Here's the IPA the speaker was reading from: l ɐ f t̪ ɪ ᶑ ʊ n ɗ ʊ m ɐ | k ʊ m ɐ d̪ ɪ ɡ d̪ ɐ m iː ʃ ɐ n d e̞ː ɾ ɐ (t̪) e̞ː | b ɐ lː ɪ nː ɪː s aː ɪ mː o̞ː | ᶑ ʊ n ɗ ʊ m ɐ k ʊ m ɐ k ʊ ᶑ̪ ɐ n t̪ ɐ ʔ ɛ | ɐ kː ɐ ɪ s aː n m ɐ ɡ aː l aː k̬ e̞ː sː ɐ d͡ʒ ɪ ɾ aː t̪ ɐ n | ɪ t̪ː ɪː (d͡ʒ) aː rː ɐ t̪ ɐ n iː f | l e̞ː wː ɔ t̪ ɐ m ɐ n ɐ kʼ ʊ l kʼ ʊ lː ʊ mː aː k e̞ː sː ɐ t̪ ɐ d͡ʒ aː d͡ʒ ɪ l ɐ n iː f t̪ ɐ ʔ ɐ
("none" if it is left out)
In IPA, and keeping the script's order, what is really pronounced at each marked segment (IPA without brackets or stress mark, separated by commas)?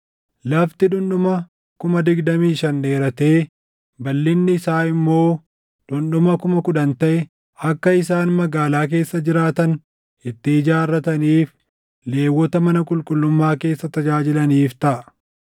t̪, d͡ʒ